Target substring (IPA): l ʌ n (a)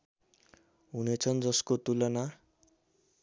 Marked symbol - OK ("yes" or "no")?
yes